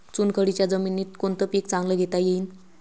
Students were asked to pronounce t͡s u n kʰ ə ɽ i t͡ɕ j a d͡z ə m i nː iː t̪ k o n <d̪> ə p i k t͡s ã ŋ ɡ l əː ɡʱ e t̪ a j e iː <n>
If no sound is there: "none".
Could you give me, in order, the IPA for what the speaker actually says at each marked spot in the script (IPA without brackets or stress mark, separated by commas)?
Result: t̪, n